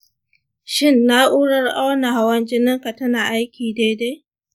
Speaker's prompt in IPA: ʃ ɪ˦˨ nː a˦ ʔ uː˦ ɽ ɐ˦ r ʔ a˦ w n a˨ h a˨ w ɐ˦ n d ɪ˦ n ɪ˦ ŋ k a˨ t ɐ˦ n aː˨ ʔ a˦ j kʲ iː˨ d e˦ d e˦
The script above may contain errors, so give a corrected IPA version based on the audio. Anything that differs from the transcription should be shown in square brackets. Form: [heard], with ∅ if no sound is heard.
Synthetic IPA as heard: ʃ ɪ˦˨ nː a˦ ʔ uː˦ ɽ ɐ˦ r ʔ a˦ w n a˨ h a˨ w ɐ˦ n [d͡ʒ] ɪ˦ n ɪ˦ ŋ k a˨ t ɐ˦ n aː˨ ʔ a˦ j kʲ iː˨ d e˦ d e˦